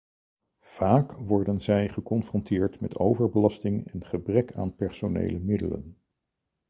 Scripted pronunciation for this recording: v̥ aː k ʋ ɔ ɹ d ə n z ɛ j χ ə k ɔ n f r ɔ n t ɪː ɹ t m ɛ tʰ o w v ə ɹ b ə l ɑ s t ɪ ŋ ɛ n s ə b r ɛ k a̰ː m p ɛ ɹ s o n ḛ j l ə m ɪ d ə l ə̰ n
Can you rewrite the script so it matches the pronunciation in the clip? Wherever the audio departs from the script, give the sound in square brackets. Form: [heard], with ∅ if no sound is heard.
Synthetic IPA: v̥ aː k ʋ ɔ ɹ d ə n z ɛ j χ ə k ɔ n f r ɔ n t ɪː ɹ t m ɛ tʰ o w v ə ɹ b ə l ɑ s t ɪ ŋ ɛ n [χ] ə b r ɛ k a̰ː [n] p ɛ ɹ s o n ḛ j l ə m ɪ d ə l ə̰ n